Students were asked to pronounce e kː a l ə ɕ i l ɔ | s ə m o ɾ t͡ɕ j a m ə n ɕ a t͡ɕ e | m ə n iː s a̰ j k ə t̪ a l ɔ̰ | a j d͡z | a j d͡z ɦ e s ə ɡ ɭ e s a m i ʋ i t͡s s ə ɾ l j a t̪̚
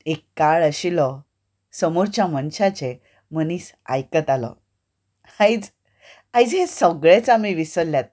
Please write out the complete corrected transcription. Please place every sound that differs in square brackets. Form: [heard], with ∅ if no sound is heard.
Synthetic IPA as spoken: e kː a [ɭ] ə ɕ i l ɔ | s ə m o ɾ t͡ɕ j a m ə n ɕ a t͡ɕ e | m ə n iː s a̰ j k ə t̪ a l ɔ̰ | a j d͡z | a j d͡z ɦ e s ə ɡ ɭ e [t͡s] a m i ʋ i [∅] s ə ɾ l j a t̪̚